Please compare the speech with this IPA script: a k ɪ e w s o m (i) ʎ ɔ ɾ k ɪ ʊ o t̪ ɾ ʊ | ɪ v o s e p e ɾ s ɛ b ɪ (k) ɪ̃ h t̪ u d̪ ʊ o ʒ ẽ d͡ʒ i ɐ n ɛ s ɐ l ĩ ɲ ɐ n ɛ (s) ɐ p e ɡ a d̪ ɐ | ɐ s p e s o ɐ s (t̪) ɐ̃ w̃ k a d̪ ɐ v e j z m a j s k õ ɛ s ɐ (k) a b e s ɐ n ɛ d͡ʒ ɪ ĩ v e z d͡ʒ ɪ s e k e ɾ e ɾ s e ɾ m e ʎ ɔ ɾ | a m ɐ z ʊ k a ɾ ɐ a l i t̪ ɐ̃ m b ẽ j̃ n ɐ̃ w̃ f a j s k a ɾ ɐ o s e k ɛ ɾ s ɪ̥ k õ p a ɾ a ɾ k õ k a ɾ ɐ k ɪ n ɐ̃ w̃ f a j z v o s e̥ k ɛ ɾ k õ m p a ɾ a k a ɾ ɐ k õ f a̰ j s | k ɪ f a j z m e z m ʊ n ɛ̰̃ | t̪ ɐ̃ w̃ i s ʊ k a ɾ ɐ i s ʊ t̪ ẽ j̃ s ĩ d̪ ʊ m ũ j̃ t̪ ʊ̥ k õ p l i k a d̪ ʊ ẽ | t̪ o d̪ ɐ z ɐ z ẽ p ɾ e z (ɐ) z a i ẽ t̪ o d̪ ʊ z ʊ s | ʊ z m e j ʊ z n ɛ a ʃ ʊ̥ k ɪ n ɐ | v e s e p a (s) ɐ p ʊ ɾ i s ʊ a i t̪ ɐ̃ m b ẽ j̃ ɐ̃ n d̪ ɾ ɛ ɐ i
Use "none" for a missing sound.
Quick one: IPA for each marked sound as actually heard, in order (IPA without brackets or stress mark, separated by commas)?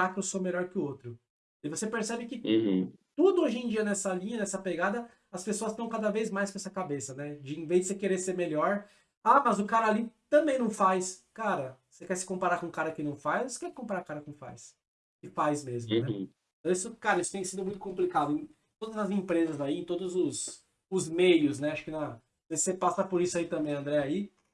e, k, s, t̪, k, ɐ, s